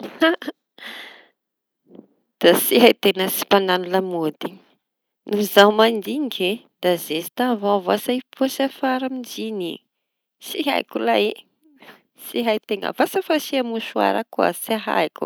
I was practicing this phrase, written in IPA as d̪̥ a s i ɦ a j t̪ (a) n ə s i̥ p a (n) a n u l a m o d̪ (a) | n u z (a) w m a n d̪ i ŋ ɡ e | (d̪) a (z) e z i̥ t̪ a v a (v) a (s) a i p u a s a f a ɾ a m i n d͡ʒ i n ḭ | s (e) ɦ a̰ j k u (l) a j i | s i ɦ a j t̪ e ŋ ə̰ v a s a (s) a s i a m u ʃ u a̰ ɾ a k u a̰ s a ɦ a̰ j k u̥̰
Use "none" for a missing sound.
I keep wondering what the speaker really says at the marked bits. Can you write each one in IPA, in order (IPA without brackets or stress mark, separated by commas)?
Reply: e, n, i, a, d̪, z, v, s, i, l, f